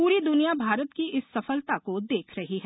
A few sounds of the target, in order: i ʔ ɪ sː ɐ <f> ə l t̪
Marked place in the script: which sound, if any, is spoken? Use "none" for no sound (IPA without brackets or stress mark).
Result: f